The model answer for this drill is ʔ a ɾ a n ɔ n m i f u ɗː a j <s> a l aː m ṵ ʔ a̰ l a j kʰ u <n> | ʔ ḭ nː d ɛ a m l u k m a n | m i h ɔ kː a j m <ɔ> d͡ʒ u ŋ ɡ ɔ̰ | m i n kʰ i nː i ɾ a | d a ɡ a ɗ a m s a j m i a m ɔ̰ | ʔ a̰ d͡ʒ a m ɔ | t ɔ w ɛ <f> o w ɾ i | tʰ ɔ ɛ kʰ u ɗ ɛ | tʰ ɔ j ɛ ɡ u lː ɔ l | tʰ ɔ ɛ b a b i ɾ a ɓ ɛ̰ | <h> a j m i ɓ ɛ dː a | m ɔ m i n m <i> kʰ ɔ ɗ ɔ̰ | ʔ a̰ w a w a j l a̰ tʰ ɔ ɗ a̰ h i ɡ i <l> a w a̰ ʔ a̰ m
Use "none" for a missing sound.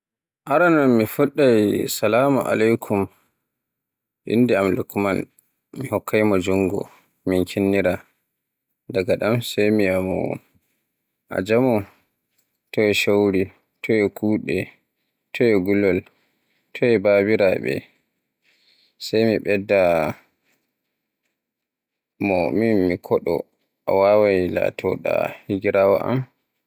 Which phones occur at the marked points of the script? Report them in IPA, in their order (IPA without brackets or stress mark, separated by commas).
s, m, ɔ, ʃ, s, i, ɾ